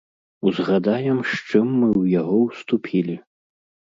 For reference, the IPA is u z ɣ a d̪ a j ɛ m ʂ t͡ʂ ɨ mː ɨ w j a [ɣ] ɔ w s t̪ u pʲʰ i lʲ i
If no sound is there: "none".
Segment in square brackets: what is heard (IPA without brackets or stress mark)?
ɣ